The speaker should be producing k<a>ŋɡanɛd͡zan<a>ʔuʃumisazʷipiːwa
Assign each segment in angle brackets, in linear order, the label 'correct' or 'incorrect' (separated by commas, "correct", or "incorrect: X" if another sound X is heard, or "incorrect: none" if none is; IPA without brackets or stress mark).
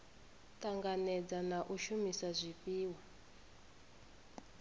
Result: correct, correct